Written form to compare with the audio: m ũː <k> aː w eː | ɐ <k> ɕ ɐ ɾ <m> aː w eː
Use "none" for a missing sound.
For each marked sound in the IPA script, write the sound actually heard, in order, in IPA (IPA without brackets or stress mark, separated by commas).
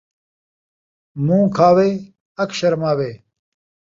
kʰ, k, m